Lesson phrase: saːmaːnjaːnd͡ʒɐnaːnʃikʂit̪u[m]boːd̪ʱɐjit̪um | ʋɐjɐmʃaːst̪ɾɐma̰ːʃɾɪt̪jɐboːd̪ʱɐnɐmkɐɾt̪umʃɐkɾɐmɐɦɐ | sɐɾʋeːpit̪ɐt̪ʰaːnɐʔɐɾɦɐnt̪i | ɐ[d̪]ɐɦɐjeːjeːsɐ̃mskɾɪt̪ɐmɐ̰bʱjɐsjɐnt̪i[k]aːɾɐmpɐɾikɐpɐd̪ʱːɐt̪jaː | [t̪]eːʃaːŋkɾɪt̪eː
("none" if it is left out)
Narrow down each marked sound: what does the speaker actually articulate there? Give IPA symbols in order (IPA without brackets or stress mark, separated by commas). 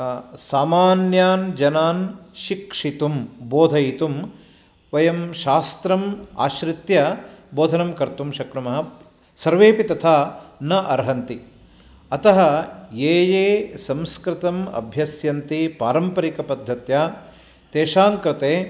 m, t̪, p, t̪